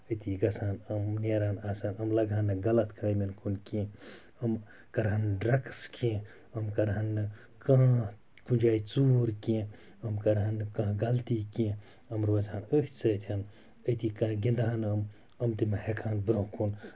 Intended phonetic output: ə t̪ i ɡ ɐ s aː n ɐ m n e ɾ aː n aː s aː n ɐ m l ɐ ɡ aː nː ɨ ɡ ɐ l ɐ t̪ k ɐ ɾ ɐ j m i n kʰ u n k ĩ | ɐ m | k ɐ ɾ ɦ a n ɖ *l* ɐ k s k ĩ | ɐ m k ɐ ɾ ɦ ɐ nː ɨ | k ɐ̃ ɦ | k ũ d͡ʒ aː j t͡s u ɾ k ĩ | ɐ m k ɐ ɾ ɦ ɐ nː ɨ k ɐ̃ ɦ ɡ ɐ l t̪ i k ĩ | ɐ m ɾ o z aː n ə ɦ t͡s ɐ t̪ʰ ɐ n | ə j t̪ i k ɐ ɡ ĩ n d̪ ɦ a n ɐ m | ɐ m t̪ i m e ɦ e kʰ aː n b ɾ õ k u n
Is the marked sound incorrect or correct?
incorrect